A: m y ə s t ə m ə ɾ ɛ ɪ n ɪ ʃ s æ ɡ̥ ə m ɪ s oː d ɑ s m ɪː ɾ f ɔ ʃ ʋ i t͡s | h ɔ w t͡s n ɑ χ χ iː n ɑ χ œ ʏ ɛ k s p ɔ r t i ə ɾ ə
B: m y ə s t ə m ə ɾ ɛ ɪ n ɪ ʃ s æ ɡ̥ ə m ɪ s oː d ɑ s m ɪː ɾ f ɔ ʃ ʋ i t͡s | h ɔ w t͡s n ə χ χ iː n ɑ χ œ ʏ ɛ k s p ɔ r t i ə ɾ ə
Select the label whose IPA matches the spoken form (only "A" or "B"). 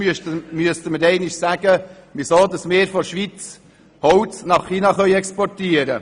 A